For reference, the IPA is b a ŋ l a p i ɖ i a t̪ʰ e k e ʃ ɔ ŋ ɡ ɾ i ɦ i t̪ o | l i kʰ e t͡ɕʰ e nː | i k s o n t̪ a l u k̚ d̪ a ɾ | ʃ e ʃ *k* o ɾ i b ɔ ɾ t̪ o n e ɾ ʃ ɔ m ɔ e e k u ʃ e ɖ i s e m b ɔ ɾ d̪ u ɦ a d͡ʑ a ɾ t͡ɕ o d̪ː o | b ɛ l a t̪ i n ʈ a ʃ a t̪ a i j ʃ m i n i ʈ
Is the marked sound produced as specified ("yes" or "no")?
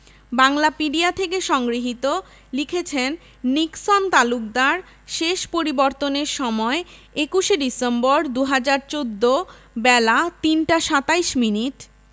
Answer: no